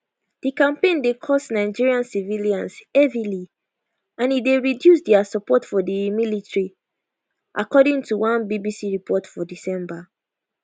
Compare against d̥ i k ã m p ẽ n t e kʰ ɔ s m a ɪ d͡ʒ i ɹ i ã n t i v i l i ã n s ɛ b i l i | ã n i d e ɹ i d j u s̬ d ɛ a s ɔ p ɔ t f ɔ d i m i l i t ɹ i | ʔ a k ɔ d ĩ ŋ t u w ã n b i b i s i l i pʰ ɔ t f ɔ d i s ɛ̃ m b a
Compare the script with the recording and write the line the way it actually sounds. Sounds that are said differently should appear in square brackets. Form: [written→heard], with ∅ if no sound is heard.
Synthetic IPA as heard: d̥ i k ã m p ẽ n [t→d] e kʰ ɔ s [m→n] a ɪ d͡ʒ i ɹ i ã n [t→s] i v i l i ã n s ɛ [b→v] i l i | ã n i d e ɹ i d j u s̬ d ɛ a s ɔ p ɔ t f ɔ d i m i l i t ɹ i | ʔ a k ɔ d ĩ ŋ t u w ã n b i b i s i [l→ɹ] i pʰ ɔ t f ɔ d i s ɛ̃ m b a